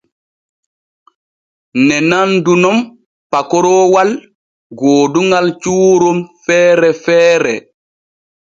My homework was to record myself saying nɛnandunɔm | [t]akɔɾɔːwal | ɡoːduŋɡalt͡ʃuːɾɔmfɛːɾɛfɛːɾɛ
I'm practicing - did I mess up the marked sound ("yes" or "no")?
yes